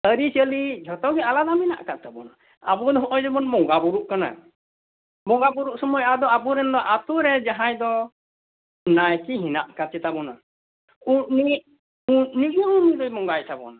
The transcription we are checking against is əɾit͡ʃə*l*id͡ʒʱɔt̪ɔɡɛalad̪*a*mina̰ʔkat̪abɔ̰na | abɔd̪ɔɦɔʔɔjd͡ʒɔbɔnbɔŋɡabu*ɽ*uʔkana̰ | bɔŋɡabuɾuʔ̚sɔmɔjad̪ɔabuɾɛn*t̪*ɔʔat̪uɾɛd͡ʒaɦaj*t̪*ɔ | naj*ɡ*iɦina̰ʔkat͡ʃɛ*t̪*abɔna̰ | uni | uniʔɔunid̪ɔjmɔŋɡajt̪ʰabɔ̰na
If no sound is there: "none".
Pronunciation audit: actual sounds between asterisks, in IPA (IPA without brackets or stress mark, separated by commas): l, a, ɾ, d̪, d̪, k, t̪